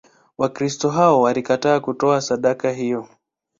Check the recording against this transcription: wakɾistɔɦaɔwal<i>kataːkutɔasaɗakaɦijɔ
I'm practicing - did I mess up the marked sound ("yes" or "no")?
no